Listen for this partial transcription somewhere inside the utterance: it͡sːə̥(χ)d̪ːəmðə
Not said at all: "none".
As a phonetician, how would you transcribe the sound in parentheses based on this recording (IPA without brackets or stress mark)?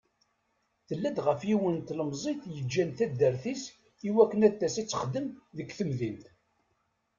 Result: χ